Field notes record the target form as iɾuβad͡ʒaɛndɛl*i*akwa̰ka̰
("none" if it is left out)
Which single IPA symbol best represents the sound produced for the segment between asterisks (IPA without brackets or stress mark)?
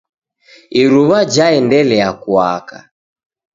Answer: ɛ